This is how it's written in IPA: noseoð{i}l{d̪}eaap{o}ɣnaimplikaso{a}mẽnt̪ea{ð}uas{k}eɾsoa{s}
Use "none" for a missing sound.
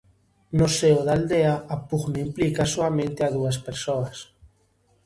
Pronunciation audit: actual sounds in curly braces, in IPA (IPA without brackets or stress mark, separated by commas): a, d̪, u, a, ð, p, s